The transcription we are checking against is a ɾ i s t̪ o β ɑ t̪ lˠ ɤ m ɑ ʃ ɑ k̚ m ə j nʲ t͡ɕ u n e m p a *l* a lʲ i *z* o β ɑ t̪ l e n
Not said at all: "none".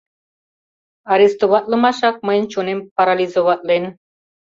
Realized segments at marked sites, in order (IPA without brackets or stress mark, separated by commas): ɾ, z